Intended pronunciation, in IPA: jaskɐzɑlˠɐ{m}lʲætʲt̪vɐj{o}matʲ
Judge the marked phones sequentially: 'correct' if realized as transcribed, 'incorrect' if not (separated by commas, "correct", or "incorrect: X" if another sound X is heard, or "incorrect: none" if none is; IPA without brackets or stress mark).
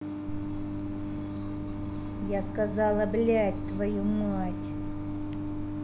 incorrect: b, incorrect: u